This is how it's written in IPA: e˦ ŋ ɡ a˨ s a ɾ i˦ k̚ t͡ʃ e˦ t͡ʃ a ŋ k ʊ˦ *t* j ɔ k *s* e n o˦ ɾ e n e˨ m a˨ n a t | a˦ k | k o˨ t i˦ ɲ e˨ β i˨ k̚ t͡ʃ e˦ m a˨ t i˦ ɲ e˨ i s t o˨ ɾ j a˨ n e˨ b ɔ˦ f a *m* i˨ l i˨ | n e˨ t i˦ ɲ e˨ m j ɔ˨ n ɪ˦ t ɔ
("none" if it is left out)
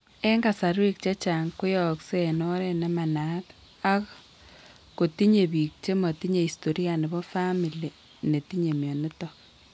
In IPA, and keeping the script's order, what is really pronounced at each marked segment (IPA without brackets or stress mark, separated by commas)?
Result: none, s, m